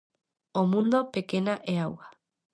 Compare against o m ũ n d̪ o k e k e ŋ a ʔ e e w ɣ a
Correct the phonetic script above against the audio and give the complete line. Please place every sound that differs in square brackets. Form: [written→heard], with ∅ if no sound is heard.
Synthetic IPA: o m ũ n d̪ o [k→p] e k e [ŋ→n] a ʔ e [e→a] w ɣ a